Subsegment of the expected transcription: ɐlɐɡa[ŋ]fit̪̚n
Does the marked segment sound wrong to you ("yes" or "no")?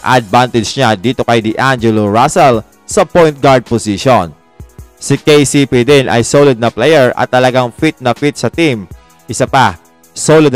no